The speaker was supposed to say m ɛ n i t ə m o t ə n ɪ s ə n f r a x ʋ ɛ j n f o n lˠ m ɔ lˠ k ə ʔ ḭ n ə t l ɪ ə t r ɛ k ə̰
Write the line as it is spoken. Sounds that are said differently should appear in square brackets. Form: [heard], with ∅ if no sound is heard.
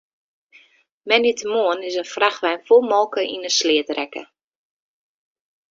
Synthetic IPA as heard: m ɛ n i t ə m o [∅] ə n ɪ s ə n f r a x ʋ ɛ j n f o [∅] lˠ m ɔ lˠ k ə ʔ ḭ n ə [s] l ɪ ə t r ɛ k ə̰